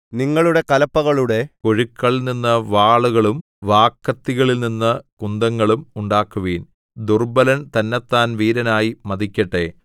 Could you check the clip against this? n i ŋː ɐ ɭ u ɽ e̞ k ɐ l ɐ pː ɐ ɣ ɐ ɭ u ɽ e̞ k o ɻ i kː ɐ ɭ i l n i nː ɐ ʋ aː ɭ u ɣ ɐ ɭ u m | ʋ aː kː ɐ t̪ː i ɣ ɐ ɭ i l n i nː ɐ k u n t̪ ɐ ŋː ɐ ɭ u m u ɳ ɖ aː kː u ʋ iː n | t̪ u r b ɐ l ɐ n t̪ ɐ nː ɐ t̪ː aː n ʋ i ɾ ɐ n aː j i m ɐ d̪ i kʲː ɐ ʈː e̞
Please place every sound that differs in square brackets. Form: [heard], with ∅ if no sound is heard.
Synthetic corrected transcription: n i ŋː ɐ ɭ u ɽ e̞ k ɐ l ɐ pː ɐ ɣ ɐ ɭ u ɽ e̞ k o ɻ i kː ɐ ɭ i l n i nː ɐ ʋ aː ɭ u ɣ ɐ ɭ u m | ʋ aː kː ɐ t̪ː i ɣ ɐ ɭ i l n i nː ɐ k u n [d̪] ɐ ŋː ɐ ɭ u m u ɳ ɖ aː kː u ʋ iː n | [d̪] u r b ɐ l ɐ n t̪ ɐ nː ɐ t̪ː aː n ʋ [iː] ɾ ɐ n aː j i m ɐ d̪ i kʲː ɐ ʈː e̞

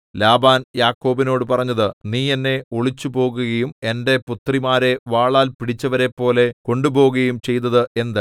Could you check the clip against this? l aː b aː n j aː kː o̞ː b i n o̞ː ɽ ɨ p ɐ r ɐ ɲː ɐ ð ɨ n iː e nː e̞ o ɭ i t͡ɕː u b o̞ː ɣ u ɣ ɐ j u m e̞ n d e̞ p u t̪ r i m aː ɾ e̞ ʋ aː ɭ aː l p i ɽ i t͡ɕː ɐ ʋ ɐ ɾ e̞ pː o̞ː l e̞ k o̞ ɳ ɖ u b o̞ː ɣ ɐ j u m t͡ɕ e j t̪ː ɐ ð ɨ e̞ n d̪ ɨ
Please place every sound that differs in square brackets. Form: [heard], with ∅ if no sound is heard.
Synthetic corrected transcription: l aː b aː n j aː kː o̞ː b i n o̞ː ɽ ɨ p ɐ r ɐ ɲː ɐ ð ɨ n iː e nː e̞ o ɭ i t͡ɕː u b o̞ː ɣ u ɣ ɐ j u m e̞ n d e̞ p u t̪ r i m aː ɾ e̞ ʋ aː ɭ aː l p i ɽ i t͡ɕː ɐ ʋ ɐ ɾ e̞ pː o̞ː l e̞ k o̞ ɳ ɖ u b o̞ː ɣ ɐ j u m t͡ɕ e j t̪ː ɐ ð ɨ e̞ n d̪ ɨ

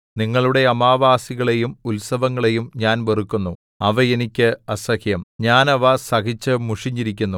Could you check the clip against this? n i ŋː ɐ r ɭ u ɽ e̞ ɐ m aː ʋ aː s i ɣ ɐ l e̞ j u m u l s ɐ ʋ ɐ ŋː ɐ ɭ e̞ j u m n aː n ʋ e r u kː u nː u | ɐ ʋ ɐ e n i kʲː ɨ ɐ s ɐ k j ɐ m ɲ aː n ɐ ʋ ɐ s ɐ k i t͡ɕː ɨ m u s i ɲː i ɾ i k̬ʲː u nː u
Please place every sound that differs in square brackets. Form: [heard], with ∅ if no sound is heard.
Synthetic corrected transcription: n i ŋː ɐ [∅] ɭ u ɽ e̞ ɐ m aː ʋ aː s i ɣ ɐ [ɭ] e̞ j u m u l s ɐ ʋ ɐ ŋː ɐ ɭ e̞ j u m [ɲ] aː n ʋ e r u kː u nː u | ɐ ʋ ɐ e n i kʲː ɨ ɐ s ɐ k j ɐ m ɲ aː n ɐ ʋ ɐ s ɐ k i t͡ɕː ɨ m u [ʂ] i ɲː i ɾ i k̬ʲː u nː u

